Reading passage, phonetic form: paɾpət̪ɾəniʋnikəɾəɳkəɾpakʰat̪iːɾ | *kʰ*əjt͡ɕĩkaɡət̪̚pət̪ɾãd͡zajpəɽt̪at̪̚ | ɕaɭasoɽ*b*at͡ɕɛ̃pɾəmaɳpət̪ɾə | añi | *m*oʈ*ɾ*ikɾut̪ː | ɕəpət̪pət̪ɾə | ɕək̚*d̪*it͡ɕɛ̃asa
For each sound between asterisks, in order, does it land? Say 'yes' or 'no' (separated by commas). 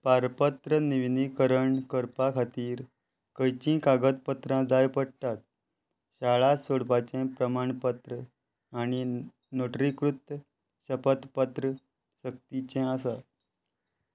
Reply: no, no, no, yes, no